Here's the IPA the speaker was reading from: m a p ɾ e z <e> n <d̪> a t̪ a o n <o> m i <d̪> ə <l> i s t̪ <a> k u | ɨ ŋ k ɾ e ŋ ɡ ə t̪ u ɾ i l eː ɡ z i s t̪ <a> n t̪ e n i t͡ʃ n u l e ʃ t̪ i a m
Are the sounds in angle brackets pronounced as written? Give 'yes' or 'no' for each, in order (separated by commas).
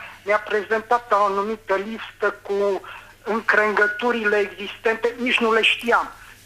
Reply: yes, no, no, no, yes, no, no